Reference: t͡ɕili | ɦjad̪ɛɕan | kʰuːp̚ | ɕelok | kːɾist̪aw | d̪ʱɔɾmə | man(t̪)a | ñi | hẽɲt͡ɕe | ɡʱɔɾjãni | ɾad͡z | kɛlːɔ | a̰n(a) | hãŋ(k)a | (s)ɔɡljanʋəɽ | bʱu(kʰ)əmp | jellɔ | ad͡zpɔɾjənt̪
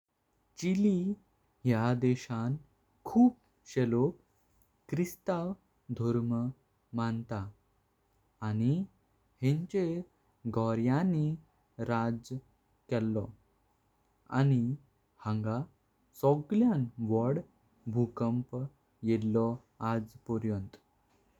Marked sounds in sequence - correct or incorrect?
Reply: correct, incorrect, incorrect, correct, incorrect

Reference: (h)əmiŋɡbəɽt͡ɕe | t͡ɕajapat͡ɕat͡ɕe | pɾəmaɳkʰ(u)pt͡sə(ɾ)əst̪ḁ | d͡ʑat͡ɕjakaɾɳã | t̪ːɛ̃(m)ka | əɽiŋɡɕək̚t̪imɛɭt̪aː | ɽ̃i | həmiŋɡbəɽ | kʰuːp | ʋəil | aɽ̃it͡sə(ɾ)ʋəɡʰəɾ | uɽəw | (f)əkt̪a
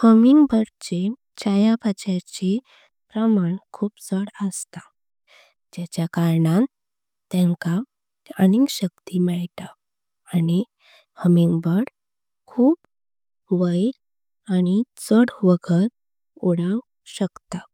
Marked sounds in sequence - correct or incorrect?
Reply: correct, incorrect, incorrect, incorrect, incorrect, incorrect

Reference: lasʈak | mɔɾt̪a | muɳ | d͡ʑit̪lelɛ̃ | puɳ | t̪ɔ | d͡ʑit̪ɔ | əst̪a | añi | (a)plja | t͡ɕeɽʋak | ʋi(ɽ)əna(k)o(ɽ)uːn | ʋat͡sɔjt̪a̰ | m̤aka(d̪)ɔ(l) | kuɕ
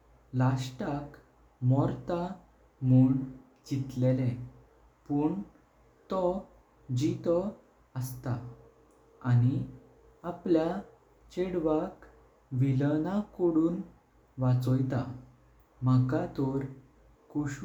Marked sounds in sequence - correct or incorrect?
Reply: correct, incorrect, correct, correct, incorrect, incorrect

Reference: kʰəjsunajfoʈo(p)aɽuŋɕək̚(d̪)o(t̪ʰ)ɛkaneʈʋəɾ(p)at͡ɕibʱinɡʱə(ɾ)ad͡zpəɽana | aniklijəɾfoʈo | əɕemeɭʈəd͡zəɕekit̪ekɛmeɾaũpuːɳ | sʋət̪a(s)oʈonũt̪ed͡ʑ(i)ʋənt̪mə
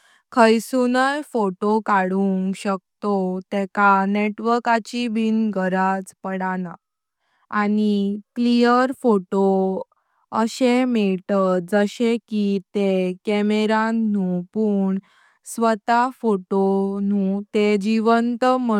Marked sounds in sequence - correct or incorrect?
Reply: incorrect, incorrect, incorrect, incorrect, correct, incorrect, correct

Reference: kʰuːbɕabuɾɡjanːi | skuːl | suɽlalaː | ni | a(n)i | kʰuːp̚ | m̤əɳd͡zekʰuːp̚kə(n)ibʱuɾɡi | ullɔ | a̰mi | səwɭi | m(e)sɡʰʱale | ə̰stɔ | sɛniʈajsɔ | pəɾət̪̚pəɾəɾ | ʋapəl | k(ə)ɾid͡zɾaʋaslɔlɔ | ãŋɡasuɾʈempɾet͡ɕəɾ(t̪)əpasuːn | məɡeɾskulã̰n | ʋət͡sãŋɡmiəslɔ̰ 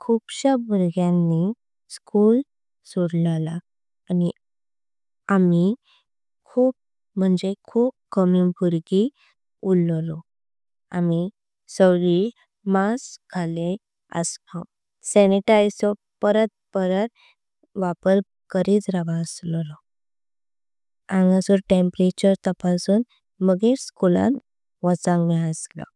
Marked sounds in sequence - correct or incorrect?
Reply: incorrect, incorrect, incorrect, correct, correct

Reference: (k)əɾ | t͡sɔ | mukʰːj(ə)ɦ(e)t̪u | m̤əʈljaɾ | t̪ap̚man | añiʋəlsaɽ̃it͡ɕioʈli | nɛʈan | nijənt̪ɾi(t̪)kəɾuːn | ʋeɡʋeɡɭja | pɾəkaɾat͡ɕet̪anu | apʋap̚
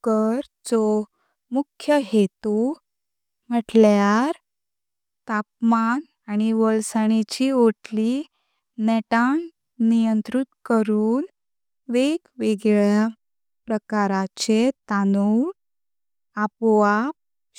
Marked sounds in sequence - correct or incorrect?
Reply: correct, correct, correct, correct

